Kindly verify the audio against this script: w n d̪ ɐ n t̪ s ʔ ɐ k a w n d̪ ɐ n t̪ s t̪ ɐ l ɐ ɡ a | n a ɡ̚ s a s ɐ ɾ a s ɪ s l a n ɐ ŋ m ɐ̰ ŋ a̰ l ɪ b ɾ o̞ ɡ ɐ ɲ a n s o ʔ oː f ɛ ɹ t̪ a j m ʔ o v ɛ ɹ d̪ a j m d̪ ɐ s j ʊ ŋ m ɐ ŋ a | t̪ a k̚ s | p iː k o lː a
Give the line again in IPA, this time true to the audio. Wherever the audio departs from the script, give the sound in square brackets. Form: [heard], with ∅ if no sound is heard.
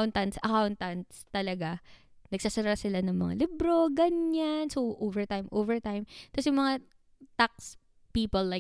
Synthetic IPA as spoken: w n [t̪] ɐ n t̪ s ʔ ɐ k a w n [t̪] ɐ n t̪ s t̪ ɐ l ɐ ɡ a | n [ɐ] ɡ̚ s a s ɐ ɾ a s ɪ [∅] l a n ɐ ŋ m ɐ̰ ŋ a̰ l ɪ b ɾ o̞ ɡ ɐ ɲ a n s o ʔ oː [v] ɛ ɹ t̪ a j m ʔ o v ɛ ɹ [t̪] a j m [t̪] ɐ s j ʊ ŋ m ɐ ŋ a | t̪ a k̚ s | p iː [p] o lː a